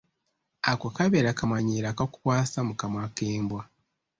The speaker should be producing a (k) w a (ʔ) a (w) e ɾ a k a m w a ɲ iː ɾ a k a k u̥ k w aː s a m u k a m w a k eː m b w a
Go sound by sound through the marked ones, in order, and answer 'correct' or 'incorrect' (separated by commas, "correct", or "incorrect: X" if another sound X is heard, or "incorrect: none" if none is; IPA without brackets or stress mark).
correct, incorrect: k, incorrect: β